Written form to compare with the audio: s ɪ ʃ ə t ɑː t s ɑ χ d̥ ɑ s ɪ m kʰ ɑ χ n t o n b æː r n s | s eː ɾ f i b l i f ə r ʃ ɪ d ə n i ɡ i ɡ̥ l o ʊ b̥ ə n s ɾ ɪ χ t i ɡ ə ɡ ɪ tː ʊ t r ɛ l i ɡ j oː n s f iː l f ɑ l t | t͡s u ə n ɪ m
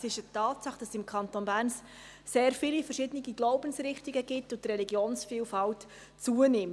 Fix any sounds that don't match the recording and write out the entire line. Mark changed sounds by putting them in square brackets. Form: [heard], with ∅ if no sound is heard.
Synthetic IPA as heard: s ɪ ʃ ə t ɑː t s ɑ χ d̥ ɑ s ɪ m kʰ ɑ [∅] n t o n b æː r n s | s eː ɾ f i [∅] l i f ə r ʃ ɪ d ə n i ɡ i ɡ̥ l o ʊ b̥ ə n s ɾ ɪ χ t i ɡ ə ɡ ɪ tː ʊ t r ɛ l i ɡ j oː n s f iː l f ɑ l t | t͡s u ə n ɪ m